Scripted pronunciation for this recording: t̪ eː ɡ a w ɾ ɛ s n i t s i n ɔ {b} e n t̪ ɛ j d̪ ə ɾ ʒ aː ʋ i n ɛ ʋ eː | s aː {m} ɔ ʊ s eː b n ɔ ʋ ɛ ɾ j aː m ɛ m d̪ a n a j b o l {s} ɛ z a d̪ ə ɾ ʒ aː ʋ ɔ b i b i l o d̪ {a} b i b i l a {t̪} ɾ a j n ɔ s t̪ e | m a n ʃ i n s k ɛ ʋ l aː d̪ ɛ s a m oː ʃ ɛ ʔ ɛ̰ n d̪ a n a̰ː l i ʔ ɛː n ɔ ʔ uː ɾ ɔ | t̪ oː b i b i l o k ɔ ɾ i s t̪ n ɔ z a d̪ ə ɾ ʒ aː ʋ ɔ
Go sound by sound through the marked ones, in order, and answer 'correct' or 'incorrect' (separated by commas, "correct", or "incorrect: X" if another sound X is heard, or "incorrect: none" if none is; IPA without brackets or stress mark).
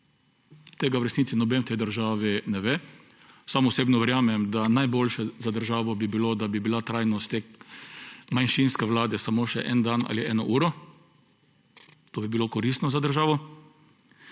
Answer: correct, correct, incorrect: ʃ, correct, correct